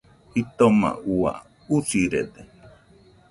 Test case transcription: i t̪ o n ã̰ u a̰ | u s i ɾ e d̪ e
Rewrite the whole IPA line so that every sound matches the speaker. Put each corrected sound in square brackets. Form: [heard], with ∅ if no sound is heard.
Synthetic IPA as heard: i t̪ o [m] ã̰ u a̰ | u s i ɾ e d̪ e